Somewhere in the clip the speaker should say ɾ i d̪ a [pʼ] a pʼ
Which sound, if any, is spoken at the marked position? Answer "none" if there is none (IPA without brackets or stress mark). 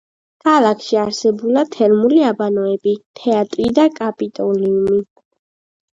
kʼ